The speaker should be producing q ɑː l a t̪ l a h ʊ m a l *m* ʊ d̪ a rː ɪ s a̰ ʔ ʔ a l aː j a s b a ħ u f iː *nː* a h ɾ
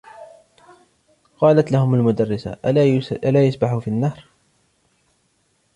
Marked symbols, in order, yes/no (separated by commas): yes, yes